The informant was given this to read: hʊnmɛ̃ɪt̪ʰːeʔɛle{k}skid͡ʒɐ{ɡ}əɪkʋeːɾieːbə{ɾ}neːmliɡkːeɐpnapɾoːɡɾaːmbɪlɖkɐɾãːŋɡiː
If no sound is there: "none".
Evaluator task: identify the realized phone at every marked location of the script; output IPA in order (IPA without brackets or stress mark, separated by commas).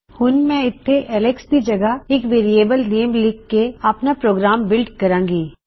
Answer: k, ɡ, l